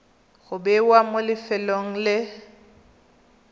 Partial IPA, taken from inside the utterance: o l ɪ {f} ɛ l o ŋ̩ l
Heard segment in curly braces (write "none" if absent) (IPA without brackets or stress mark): f